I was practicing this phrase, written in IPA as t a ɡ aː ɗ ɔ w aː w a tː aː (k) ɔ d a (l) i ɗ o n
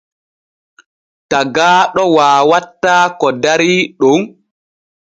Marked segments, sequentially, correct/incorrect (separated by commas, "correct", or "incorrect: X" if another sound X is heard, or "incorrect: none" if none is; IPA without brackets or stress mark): correct, incorrect: ɾ